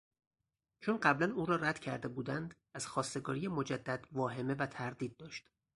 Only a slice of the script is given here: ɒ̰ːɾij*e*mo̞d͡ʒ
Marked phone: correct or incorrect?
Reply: correct